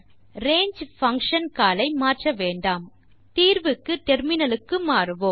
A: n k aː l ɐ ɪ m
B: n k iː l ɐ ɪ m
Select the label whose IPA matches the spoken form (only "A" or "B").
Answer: A